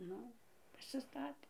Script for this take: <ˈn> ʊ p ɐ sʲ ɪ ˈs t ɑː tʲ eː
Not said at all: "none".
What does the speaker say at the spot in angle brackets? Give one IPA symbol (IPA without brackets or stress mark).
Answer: n